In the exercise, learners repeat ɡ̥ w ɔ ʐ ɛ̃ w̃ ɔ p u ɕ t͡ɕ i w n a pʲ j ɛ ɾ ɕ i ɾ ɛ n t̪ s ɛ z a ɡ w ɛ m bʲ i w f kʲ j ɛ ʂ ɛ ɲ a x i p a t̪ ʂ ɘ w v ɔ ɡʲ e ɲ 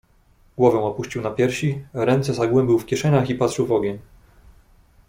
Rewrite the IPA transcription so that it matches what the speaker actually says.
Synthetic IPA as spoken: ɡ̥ w ɔ v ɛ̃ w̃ ɔ p u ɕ t͡ɕ i w n a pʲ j ɛ ɾ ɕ i ɾ ɛ n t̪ s ɛ z a ɡ w ɛ m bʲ i w f kʲ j ɛ ʂ ɛ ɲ a x i p a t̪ ʂ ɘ w v ɔ ɡʲ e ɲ